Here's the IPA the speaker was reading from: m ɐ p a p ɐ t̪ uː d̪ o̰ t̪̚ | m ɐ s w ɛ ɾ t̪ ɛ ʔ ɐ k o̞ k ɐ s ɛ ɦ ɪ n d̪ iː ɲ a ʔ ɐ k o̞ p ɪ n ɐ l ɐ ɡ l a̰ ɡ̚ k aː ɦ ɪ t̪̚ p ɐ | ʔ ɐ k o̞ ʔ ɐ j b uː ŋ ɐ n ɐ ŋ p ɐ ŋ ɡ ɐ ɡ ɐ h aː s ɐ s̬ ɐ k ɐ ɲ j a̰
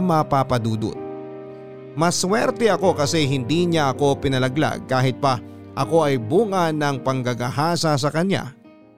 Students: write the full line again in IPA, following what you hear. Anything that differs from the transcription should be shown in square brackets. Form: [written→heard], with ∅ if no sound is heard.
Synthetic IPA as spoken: m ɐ p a p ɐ [t̪→d̪] uː d̪ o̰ t̪̚ | m ɐ s w ɛ ɾ t̪ ɛ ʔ ɐ k o̞ k ɐ s ɛ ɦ ɪ n d̪ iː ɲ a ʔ ɐ k o̞ p ɪ n ɐ l ɐ ɡ l a̰ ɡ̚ k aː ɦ ɪ t̪̚ p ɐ | ʔ ɐ k o̞ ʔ ɐ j b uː ŋ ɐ n ɐ ŋ p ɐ ŋ ɡ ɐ ɡ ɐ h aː s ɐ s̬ ɐ k ɐ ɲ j a̰